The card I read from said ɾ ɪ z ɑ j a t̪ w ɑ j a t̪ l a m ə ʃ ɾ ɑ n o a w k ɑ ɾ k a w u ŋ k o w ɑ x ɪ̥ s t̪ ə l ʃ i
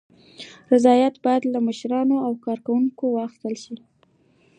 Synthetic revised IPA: ɾ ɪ z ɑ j a t̪ b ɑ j a d̪ l a m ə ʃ ɾ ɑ n o a w k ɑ ɾ k a w u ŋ k o w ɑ x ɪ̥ s t̪ ə l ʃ i